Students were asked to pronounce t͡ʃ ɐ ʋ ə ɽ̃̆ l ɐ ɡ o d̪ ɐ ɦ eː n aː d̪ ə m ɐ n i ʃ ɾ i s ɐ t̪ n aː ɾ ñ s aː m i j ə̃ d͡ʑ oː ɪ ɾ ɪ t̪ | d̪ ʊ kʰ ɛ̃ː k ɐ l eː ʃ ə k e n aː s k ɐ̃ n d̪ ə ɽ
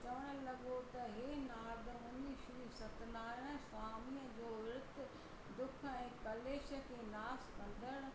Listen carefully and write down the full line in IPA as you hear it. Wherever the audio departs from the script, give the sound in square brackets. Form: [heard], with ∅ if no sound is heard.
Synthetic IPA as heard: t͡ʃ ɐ ʋ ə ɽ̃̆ l ɐ ɡ o [t̪] ɐ ɦ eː n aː d̪ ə m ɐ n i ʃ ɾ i s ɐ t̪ n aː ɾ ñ s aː m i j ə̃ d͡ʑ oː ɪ ɾ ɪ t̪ | d̪ ʊ kʰ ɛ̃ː k ɐ l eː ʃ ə k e n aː s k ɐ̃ n d̪ ə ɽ